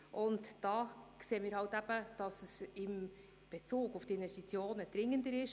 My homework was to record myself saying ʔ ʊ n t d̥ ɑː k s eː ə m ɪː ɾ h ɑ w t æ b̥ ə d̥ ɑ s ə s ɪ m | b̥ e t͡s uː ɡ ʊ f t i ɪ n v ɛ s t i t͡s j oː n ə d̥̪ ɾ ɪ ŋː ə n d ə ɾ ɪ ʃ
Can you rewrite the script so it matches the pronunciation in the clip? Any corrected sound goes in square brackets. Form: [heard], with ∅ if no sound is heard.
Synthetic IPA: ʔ ʊ n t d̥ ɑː k s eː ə m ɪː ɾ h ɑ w t æ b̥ ə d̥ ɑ s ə s ɪ m | b̥ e t͡s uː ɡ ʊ f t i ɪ n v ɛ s t i t͡s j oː n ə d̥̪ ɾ ɪ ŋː ə n d ə ɾ ɪ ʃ